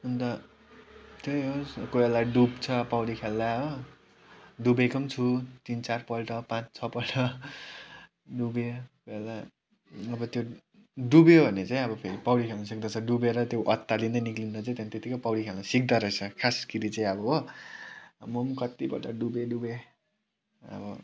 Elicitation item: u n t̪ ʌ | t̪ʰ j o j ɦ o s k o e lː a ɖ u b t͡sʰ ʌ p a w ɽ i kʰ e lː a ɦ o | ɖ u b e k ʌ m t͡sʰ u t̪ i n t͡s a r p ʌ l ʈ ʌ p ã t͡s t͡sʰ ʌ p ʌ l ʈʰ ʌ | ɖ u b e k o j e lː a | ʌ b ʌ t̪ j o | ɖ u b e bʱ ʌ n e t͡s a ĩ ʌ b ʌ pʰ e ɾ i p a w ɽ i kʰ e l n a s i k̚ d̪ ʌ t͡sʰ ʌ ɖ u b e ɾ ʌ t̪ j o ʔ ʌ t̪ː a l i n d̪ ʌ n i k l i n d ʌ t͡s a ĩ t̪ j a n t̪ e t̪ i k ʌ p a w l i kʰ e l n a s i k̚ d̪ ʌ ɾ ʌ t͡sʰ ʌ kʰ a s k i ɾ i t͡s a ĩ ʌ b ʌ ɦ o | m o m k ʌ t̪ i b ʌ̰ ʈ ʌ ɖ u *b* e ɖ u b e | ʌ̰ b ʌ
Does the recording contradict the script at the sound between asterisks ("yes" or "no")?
no